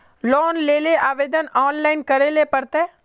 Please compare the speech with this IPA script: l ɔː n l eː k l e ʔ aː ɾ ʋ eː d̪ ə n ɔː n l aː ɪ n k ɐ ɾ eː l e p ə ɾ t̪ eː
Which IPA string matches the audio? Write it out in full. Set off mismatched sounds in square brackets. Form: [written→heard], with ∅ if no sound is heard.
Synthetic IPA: l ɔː n l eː [k→∅] l e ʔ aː [ɾ→∅] ʋ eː d̪ ə n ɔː n l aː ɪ n k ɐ ɾ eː l e p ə ɾ t̪ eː